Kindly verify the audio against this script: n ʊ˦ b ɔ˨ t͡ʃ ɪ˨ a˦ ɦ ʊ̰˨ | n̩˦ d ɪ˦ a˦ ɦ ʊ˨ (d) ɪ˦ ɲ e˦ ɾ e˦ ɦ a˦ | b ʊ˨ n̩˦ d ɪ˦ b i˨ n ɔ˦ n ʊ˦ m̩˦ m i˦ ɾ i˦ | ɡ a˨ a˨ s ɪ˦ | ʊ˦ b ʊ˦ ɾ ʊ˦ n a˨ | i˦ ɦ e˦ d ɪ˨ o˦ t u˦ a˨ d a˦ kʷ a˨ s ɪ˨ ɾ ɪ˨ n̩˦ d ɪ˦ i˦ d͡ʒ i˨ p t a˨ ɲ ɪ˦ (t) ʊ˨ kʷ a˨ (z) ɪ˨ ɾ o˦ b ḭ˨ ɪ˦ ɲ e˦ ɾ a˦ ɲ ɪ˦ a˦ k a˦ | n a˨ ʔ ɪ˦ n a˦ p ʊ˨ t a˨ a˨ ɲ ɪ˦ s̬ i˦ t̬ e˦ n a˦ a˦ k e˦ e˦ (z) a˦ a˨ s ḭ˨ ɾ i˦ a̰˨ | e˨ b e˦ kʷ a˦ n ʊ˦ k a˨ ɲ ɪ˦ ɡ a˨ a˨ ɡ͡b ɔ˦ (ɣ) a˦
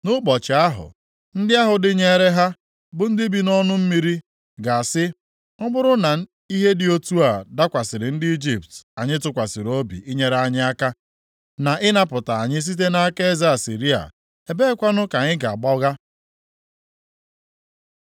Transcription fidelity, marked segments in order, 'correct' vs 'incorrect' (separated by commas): correct, correct, incorrect, correct, correct